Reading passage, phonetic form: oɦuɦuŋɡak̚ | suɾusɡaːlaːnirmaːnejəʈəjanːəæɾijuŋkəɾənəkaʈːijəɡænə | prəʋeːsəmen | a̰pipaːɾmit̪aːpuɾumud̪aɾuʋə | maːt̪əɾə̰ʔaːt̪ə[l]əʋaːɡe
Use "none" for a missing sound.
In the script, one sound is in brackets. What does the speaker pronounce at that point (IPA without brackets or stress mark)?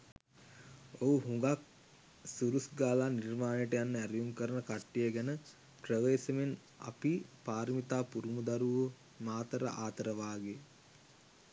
ɾ